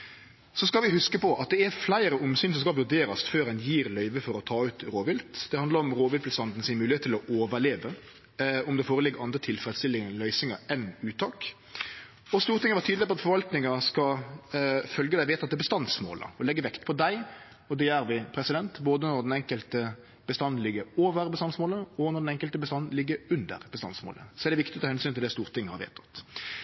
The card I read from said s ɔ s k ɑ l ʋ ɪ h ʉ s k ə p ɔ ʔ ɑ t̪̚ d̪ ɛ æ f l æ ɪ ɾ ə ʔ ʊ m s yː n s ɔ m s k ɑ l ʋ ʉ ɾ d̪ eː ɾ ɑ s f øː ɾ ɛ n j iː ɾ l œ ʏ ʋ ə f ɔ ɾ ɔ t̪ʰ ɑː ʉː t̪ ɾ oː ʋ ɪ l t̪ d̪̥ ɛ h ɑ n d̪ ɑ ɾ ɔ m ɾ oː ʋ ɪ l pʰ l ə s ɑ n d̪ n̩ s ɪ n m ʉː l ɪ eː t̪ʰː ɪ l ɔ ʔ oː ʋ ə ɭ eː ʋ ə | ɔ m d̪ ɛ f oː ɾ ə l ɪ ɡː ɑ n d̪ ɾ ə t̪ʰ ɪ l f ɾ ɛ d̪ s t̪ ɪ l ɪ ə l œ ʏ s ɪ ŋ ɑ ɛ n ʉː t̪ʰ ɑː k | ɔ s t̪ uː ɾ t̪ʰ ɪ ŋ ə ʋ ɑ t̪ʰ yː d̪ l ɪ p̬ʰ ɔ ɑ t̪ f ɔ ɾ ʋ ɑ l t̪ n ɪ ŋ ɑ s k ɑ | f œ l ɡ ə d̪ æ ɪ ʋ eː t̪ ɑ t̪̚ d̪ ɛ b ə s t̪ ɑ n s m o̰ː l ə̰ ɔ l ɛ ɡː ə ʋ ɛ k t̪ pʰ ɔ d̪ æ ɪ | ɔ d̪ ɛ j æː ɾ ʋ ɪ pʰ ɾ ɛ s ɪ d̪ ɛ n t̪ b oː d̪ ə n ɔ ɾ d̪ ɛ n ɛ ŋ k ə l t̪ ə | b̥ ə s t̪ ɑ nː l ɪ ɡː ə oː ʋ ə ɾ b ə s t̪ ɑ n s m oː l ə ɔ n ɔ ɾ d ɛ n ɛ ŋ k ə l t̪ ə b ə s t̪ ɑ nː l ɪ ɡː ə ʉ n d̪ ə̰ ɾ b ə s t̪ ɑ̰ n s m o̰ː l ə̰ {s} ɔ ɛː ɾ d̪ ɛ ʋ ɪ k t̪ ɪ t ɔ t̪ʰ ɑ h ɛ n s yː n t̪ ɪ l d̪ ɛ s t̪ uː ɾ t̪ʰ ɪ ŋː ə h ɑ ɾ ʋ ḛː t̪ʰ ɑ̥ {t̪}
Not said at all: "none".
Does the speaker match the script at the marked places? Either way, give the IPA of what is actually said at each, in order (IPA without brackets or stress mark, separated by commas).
s, t̪